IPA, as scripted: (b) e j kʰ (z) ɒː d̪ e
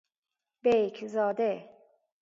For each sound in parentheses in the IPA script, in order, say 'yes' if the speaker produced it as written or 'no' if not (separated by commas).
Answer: yes, yes